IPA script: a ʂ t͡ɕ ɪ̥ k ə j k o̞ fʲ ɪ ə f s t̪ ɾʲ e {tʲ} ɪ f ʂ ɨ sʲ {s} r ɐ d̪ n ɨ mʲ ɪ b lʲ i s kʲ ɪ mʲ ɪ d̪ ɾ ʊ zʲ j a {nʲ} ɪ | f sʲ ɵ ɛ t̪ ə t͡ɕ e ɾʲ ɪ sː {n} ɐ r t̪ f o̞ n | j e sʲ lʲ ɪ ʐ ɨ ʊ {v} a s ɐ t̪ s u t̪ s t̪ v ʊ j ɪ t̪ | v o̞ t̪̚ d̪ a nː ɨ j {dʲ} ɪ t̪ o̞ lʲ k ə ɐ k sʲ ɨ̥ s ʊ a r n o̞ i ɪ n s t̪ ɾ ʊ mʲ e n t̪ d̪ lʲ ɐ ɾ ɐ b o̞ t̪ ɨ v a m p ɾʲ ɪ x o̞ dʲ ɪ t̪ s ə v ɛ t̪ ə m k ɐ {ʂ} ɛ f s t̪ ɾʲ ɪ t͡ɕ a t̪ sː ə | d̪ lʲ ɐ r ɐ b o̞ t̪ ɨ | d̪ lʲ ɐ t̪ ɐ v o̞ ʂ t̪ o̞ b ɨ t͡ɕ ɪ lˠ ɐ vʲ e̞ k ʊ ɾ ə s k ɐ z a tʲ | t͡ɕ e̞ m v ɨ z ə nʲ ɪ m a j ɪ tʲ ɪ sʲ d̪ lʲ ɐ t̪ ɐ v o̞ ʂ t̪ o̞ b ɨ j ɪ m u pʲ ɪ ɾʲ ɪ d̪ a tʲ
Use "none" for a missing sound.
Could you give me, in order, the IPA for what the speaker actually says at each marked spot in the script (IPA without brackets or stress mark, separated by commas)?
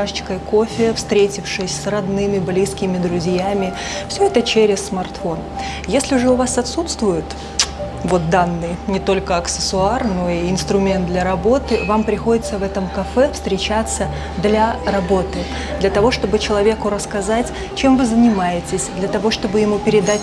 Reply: tʲ, s, mʲ, m, v, nʲ, f